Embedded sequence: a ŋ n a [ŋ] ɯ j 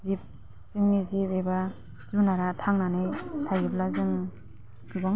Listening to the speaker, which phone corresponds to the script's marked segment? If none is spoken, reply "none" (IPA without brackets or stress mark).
n